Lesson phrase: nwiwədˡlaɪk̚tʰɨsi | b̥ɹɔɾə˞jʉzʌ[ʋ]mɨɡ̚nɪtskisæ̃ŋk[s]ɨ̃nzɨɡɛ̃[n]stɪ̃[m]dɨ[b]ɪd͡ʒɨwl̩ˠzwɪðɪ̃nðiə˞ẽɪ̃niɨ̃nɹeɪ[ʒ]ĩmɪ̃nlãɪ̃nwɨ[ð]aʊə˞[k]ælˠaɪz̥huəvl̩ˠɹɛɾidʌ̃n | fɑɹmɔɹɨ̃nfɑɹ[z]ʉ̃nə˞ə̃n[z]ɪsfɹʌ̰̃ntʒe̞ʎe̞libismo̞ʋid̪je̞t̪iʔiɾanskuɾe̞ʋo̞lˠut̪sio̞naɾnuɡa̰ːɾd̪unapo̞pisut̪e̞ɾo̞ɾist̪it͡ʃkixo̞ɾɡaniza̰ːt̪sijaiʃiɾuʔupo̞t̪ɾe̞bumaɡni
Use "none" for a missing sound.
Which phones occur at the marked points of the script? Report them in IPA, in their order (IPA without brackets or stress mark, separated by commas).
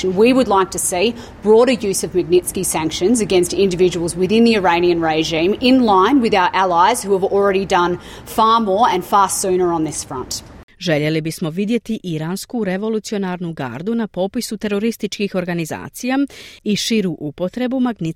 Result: v, ʃ, n, n, v, ʒ, ð, ʔ, s, ð